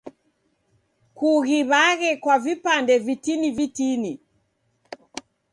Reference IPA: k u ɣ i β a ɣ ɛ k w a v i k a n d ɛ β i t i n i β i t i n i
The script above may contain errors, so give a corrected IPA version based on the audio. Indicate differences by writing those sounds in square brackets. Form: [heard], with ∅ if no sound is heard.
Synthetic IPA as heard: k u ɣ i β a ɣ ɛ k w a v i [p] a n d ɛ [v] i t i n i [v] i t i n i